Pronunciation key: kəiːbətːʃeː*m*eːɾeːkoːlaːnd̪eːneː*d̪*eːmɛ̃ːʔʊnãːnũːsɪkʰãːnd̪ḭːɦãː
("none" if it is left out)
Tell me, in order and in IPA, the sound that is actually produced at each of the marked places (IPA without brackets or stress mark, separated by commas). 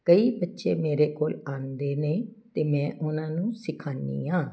m, t̪